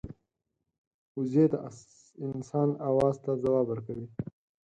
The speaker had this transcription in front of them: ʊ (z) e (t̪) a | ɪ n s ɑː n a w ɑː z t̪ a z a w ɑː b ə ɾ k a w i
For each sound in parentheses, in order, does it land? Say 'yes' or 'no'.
yes, yes

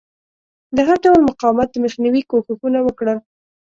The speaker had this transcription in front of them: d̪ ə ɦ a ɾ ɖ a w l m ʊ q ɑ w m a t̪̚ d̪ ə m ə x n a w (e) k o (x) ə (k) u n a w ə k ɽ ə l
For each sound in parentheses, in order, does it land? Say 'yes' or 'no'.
no, yes, no

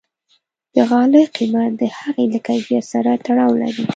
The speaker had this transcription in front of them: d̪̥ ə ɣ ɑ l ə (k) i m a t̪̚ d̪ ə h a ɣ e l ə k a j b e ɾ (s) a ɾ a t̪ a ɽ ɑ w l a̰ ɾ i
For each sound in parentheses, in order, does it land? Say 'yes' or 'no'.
no, yes

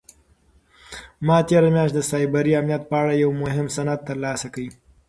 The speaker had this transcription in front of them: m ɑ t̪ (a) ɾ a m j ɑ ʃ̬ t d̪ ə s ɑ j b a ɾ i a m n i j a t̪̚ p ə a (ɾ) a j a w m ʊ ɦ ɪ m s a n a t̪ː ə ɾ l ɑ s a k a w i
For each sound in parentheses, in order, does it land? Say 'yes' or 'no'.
no, no

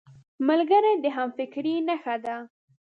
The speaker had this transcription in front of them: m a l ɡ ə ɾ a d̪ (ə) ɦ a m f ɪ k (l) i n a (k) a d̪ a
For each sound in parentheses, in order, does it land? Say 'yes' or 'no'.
yes, no, no

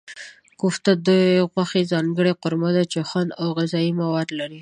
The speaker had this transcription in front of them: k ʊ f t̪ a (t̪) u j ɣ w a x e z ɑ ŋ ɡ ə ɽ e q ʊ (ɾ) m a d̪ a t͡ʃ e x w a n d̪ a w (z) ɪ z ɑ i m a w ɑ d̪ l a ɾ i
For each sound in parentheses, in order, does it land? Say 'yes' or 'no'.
no, yes, no

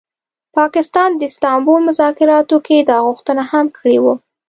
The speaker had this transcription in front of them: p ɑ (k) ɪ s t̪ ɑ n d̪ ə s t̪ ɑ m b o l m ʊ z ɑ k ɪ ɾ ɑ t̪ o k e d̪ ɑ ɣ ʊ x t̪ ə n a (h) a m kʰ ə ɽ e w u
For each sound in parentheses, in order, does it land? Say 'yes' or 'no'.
yes, yes

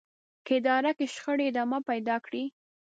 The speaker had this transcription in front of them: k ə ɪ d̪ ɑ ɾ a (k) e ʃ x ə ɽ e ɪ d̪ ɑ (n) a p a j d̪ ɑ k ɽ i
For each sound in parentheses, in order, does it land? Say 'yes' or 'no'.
yes, no

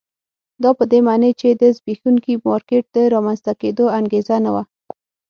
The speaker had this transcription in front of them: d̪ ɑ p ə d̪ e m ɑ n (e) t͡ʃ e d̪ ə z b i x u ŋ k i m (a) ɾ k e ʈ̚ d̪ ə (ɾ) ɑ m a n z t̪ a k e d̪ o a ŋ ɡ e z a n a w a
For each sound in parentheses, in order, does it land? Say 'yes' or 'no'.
yes, no, yes

